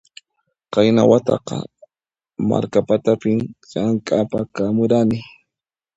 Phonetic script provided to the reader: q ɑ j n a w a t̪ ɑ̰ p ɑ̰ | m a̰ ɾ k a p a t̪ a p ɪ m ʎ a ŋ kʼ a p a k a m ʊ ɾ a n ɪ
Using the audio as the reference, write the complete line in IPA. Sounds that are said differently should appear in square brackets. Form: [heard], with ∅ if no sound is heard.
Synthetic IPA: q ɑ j n a w a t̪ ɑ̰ [q] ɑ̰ | m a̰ ɾ k a p a t̪ a p ɪ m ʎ a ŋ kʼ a p a k a m ʊ ɾ a n ɪ